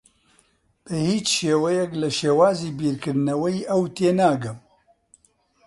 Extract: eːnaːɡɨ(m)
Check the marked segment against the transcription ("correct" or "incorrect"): correct